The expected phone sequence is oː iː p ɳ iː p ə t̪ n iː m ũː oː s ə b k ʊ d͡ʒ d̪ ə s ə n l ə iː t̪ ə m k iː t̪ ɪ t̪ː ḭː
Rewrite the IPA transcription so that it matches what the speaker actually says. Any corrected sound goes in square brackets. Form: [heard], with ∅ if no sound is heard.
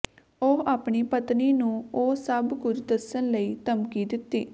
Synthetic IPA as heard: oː [aː] p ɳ iː p ə t̪ n iː [n] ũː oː s ə b k ʊ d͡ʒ d̪ ə s ə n l ə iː t̪ ə m k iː [d̪] ɪ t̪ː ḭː